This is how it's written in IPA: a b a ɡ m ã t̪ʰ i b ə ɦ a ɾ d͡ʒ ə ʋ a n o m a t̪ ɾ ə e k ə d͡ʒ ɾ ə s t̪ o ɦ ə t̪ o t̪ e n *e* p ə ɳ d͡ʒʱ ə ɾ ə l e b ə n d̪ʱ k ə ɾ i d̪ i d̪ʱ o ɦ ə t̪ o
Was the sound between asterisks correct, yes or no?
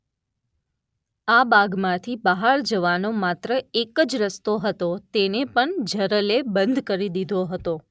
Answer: yes